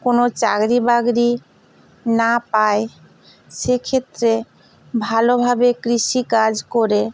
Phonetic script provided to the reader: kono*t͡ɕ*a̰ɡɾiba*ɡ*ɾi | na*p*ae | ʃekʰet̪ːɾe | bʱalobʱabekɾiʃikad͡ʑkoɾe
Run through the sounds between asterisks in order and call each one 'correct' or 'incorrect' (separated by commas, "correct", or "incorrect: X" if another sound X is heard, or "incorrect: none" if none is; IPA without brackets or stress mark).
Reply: correct, correct, correct